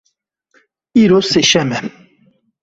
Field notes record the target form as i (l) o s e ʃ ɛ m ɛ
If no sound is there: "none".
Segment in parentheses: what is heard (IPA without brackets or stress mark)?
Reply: ɾ